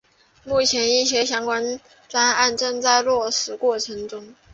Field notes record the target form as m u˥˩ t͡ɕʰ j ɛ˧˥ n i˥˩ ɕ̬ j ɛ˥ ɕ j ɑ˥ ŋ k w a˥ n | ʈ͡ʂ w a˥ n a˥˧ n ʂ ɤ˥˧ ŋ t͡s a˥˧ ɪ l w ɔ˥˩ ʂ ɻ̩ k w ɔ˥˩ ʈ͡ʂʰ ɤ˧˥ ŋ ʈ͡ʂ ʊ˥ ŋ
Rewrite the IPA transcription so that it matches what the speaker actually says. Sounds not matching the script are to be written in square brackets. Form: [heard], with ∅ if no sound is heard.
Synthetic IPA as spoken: m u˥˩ t͡ɕʰ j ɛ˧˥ n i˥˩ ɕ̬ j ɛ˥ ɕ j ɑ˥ ŋ k w a˥ n | ʈ͡ʂ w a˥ n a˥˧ n [ʈ͡ʂ] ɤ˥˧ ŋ t͡s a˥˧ ɪ l w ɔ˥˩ ʂ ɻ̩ k w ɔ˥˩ ʈ͡ʂʰ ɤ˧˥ ŋ ʈ͡ʂ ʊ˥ ŋ

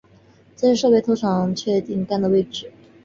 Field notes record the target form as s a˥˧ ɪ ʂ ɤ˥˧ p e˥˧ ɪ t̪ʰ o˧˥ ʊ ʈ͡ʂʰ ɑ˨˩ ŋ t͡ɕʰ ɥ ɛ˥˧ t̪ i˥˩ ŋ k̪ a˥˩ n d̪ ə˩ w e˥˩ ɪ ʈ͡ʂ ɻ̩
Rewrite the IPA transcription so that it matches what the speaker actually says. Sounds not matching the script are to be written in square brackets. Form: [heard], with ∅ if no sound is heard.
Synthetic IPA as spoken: [t͡s] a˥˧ ɪ ʂ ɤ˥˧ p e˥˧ ɪ t̪ʰ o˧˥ ʊ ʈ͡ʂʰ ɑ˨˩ ŋ t͡ɕʰ ɥ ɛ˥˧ t̪ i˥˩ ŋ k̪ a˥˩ n d̪ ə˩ w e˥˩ ɪ ʈ͡ʂ ɻ̩

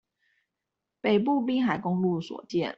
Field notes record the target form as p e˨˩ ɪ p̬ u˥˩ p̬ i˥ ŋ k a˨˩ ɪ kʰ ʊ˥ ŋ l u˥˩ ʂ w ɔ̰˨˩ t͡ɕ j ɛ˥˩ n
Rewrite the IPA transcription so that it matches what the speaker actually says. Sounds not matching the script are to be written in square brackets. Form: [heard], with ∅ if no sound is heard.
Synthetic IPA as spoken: p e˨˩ ɪ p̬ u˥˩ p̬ i˥ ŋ [x] a˨˩ ɪ [k] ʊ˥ ŋ l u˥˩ [s] w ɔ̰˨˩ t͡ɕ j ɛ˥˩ n

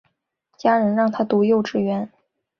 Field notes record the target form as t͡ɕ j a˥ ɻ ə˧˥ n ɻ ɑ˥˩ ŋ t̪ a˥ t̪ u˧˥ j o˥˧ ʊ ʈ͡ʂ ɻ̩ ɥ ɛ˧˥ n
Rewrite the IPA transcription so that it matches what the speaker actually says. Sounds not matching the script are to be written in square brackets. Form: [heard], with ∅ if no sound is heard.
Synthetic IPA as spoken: t͡ɕ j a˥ ɻ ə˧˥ n ɻ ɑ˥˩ ŋ [t̪ʰ] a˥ t̪ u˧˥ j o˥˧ ʊ ʈ͡ʂ ɻ̩ ɥ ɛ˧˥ n

